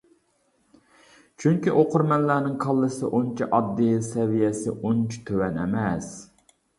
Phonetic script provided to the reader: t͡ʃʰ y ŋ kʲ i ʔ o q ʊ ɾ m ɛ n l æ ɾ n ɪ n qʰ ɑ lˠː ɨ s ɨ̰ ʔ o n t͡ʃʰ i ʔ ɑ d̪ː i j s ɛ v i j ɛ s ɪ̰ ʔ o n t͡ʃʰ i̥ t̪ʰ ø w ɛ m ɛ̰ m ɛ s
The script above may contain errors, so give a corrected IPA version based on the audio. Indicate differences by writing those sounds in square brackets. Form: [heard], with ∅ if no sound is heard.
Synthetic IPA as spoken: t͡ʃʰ y ŋ kʲ i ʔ o q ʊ ɾ m ɛ n l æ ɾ n ɪ [ŋ] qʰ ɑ lˠː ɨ s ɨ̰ ʔ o n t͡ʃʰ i ʔ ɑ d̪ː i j s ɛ v i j ɛ s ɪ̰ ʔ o n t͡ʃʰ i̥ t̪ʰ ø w ɛ [n] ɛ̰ m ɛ s